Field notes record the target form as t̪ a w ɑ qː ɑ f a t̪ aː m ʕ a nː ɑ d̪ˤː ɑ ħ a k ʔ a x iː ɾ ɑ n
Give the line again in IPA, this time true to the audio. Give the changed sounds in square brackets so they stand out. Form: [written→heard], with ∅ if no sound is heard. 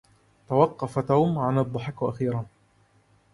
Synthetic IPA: t̪ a w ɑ qː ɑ f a t̪ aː m ʕ a [nː→n] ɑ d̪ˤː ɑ ħ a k ʔ a x iː ɾ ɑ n